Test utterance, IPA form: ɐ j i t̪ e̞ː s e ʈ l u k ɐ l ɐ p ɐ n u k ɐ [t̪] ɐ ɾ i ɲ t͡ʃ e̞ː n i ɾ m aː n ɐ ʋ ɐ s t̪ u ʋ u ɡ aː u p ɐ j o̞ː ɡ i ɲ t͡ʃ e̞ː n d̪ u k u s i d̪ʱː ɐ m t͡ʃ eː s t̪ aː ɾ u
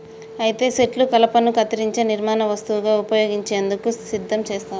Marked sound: correct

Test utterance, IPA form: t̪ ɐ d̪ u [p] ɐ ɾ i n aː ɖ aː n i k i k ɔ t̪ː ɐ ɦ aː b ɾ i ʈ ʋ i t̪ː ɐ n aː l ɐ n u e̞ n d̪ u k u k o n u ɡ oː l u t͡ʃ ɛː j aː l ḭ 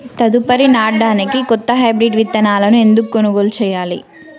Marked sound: correct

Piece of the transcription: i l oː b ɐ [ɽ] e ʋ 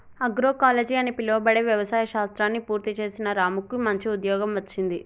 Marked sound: correct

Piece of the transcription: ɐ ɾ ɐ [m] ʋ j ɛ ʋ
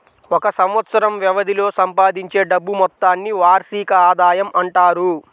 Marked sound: correct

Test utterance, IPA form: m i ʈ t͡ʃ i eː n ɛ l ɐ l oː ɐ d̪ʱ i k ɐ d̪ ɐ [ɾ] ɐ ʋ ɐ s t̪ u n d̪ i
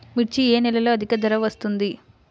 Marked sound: correct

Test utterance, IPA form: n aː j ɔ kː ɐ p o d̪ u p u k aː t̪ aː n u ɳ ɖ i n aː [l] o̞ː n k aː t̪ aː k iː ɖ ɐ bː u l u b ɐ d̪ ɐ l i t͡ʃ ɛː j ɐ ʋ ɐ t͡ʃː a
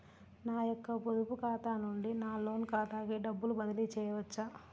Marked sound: correct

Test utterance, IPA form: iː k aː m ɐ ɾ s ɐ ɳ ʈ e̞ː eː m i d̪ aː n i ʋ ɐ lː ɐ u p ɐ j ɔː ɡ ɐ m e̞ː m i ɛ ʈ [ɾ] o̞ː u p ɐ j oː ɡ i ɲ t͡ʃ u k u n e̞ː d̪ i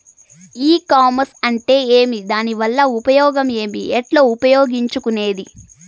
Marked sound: incorrect: l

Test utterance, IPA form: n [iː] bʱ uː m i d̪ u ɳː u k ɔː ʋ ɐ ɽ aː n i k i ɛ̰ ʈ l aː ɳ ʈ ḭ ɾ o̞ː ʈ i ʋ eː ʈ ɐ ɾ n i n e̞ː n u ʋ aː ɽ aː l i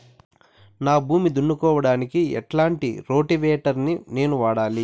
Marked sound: incorrect: aː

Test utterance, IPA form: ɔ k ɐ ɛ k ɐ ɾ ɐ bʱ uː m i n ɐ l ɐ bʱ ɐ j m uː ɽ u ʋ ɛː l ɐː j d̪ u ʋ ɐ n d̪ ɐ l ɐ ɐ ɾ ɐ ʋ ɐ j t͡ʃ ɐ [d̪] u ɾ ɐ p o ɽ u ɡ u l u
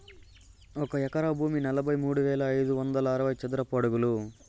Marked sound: correct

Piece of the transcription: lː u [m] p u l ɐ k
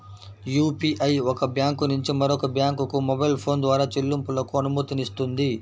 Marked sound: correct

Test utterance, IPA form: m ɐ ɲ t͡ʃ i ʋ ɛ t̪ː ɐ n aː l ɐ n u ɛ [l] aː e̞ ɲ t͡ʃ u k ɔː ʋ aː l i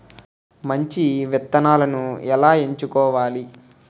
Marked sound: correct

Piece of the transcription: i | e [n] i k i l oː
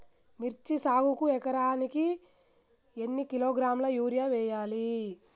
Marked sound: incorrect: nː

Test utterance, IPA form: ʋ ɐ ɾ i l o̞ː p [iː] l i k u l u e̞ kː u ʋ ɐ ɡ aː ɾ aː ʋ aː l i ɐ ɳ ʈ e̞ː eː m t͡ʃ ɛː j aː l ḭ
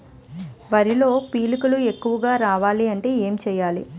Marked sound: correct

